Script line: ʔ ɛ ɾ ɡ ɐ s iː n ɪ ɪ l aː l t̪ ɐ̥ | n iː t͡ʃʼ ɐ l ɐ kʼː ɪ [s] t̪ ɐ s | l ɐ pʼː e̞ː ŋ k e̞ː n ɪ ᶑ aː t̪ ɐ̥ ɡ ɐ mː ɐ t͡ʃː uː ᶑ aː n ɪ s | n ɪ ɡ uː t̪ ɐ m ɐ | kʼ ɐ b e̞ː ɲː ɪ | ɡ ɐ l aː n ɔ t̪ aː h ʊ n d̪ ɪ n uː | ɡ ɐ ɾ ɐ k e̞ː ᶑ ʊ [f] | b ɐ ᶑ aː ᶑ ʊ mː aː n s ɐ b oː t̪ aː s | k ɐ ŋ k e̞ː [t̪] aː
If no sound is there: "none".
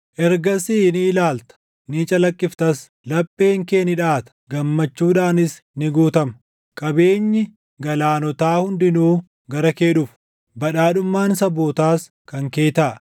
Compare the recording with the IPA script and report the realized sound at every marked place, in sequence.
f, f, t̪

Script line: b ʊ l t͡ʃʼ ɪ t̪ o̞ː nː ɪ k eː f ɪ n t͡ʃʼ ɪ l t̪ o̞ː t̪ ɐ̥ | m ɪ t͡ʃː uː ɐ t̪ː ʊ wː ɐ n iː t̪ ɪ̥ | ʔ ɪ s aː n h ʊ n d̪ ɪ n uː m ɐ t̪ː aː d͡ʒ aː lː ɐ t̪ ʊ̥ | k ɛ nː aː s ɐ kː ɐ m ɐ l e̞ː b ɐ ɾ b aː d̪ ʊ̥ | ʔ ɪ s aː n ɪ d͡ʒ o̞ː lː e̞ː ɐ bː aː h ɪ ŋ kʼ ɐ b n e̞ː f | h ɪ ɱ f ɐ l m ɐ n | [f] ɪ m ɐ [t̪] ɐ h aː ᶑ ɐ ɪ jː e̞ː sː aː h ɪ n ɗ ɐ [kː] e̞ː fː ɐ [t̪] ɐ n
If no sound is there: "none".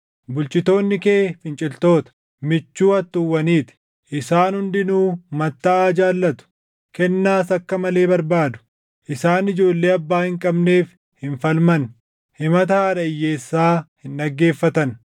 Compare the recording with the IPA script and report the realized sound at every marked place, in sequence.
h, t̪, ɡː, t̪

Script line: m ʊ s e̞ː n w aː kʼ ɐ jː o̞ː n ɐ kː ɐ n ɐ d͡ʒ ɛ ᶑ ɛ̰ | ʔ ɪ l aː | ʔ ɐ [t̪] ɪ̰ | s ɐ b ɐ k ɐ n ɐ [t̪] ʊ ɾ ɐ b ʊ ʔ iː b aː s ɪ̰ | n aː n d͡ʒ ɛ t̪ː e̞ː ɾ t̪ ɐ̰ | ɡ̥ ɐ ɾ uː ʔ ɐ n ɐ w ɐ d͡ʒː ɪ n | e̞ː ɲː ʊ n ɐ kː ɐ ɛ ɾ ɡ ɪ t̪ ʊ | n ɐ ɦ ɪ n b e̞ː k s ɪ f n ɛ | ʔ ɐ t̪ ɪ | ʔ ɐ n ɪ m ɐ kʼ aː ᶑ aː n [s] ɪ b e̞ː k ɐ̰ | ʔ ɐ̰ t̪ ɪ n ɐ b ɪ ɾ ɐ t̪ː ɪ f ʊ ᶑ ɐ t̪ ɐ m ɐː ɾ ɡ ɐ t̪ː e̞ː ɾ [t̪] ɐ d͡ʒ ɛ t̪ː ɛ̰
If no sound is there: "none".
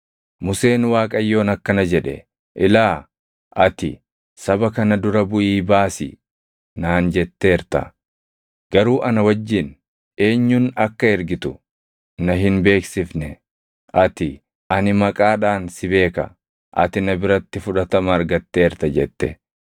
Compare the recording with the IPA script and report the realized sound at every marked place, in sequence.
t̪, d̪, s, t̪

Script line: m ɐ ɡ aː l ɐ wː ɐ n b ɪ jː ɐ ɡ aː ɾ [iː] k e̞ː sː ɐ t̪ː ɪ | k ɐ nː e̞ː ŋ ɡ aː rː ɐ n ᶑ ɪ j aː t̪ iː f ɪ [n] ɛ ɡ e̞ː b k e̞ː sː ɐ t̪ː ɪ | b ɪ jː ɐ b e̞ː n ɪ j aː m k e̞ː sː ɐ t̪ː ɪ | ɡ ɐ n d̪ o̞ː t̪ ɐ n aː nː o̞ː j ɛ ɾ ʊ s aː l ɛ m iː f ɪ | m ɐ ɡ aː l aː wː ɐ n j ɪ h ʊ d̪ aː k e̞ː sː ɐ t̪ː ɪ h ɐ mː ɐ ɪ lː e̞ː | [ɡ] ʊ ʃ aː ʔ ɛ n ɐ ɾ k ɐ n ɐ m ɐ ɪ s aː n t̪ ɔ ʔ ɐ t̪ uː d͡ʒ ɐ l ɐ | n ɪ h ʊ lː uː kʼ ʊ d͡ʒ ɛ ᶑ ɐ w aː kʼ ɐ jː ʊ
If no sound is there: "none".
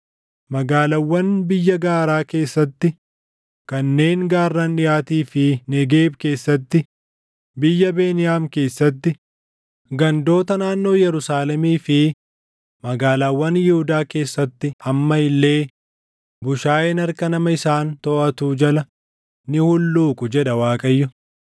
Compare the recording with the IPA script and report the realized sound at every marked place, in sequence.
aː, n, b

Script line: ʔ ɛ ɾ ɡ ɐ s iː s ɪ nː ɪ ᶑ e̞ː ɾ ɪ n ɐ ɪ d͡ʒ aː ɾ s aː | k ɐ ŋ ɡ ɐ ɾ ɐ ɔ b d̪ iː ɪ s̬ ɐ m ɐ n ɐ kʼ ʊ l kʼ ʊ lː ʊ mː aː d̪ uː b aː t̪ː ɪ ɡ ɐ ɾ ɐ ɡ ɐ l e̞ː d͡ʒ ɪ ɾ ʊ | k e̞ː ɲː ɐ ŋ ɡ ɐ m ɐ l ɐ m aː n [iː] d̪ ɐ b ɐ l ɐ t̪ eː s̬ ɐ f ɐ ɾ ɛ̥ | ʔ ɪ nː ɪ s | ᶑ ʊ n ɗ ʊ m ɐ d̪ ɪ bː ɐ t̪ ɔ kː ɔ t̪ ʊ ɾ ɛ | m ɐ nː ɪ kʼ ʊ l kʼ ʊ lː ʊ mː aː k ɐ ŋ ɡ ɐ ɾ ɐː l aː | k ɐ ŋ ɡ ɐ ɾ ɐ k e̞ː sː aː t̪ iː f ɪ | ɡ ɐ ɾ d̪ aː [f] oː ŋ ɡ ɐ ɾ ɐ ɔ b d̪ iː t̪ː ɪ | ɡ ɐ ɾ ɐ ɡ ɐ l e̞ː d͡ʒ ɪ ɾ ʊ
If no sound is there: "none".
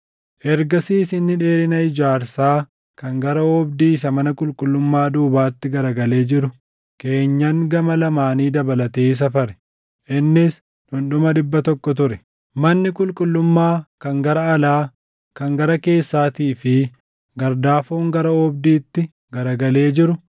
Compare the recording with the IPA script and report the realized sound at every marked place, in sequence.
iː, f

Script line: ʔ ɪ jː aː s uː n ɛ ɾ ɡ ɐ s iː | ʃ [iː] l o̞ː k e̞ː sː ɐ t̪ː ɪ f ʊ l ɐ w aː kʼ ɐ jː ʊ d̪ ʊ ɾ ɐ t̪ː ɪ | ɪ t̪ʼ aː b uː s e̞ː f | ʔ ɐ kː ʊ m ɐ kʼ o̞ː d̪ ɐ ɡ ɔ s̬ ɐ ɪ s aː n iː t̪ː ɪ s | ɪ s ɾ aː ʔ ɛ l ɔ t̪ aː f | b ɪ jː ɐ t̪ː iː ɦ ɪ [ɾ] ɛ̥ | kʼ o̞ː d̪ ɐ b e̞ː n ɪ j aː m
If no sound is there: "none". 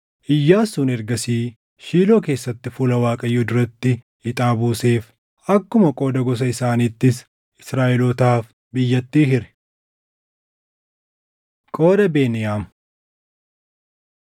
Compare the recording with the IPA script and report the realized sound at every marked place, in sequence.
iː, ɾ

